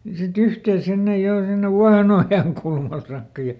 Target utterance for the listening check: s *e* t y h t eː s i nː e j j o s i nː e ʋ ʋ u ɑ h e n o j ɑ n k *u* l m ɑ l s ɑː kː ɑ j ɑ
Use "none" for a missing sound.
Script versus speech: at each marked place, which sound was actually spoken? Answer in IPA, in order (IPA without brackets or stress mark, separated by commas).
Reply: i, u